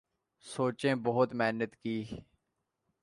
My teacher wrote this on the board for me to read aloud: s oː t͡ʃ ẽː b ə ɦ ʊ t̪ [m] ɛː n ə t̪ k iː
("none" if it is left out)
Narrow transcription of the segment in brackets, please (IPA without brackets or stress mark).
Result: m